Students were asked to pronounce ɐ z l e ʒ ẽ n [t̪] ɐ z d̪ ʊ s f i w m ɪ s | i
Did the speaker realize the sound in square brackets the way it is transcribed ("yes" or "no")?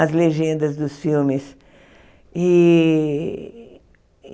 no